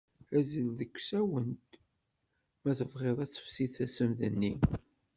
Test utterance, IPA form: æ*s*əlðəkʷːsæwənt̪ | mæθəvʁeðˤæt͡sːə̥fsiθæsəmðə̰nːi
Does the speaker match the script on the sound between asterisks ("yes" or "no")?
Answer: no